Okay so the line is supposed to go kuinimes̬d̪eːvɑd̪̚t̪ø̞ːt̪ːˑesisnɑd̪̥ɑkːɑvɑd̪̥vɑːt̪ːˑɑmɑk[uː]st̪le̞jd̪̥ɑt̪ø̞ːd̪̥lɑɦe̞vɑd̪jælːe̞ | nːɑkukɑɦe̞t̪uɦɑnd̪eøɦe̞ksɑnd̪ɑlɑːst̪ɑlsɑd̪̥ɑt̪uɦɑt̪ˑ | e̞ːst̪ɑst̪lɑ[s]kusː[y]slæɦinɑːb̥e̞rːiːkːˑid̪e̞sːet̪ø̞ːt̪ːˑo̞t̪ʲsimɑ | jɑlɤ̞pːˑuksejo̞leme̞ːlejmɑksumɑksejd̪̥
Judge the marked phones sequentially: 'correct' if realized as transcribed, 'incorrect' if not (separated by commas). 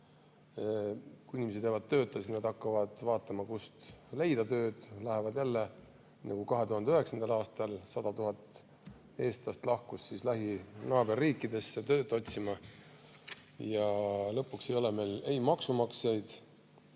incorrect, incorrect, incorrect